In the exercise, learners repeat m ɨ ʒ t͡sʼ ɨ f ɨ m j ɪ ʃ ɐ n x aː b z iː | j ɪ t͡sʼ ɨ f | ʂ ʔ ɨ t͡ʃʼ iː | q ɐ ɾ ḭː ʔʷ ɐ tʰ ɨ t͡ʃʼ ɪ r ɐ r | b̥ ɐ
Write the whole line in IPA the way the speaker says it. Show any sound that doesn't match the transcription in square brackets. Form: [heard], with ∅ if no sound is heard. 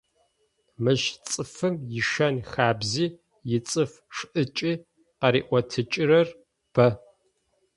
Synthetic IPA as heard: m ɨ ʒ t͡sʼ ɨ f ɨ m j ɪ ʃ ɐ n x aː b z iː | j ɪ t͡sʼ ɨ f | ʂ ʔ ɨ t͡ʃʼ iː | q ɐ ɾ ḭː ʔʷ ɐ tʰ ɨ t͡ʃʼ ɪ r ɐ r | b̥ ɐ